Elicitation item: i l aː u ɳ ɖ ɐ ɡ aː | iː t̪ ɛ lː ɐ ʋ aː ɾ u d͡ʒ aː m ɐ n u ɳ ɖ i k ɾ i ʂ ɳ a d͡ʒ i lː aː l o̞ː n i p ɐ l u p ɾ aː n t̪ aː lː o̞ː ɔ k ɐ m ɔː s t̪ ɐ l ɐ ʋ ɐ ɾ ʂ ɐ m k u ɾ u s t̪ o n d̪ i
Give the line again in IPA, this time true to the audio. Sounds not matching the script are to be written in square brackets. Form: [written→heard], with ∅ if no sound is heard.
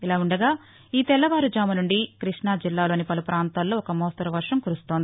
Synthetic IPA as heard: i l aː u ɳ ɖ ɐ ɡ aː | iː t̪ ɛ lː ɐ ʋ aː ɾ u d͡ʒ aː m ɐ n u ɳ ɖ i k ɾ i ʂ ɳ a d͡ʒ i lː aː l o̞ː n i p ɐ l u p ɾ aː n t̪ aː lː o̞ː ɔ k ɐ m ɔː s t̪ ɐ [l→ɾ] ɐ ʋ ɐ ɾ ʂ ɐ m k u ɾ u s t̪ o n d̪ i